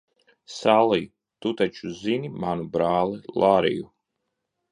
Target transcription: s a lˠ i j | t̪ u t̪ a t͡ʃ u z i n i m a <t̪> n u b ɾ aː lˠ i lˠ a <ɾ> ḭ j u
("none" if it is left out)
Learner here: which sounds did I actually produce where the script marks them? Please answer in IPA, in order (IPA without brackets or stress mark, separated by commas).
none, ɾ